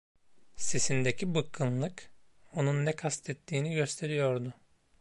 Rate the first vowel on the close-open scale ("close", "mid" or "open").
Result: mid